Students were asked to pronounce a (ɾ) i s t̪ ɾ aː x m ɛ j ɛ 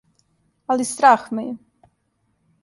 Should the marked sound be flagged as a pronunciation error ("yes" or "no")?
yes